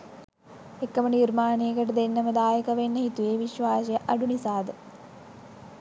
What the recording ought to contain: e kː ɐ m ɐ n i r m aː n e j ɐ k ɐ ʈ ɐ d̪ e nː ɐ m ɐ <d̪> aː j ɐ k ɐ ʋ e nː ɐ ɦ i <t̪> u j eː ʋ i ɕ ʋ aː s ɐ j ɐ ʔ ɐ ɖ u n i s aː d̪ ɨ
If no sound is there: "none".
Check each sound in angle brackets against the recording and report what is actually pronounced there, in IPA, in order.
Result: d̪, t̪

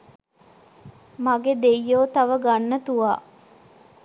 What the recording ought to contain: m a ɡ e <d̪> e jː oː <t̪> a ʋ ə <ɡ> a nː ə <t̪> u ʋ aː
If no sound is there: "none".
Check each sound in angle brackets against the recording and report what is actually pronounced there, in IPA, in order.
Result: d̪, t̪, ɡ, t̪

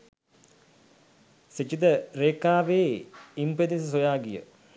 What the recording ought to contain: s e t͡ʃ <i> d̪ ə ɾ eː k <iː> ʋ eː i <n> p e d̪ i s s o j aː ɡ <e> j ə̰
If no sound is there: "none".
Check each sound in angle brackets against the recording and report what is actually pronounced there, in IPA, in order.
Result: i, aː, m, i

